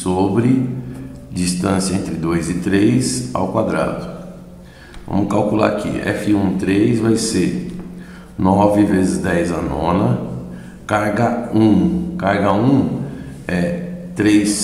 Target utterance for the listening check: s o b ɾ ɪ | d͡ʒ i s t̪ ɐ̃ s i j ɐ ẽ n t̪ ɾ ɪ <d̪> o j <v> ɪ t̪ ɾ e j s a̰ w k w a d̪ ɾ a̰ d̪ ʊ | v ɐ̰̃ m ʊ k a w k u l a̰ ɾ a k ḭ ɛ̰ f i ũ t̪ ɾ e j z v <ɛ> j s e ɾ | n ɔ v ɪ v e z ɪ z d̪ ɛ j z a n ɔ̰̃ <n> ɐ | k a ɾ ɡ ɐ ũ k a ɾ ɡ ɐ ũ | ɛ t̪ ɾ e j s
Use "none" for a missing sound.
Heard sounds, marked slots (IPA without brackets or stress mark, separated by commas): d̪, z, a, n